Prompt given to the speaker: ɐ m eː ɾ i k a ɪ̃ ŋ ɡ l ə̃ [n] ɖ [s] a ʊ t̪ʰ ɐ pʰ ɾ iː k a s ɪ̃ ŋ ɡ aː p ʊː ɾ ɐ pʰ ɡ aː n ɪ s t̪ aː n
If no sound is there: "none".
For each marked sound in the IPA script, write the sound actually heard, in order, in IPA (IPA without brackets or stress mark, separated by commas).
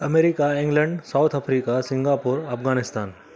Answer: ɳ, s